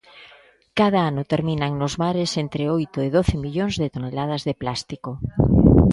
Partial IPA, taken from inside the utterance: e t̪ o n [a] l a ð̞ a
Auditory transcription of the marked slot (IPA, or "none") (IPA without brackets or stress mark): e